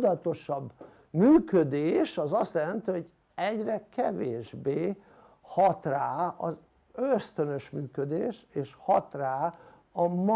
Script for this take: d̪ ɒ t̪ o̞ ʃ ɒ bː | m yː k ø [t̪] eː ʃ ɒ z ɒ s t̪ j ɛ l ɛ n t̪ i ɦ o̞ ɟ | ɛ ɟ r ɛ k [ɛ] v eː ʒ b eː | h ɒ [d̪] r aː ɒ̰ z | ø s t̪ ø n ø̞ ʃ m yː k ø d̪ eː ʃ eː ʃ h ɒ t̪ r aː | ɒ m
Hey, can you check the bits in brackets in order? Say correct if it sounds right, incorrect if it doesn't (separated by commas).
incorrect, correct, incorrect